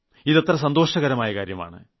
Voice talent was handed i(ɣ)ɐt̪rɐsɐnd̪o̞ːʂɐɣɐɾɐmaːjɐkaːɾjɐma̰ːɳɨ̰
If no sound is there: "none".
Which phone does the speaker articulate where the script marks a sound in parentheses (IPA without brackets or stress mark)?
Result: ð